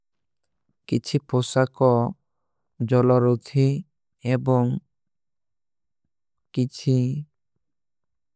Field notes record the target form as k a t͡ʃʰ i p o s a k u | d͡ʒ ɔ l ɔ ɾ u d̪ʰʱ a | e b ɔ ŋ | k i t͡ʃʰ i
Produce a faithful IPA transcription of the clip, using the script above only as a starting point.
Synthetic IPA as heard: k i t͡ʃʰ i p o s a k ɔ | d͡ʒ ɔ l ɔ ɾ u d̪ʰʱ i | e b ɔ ŋ | k i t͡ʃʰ i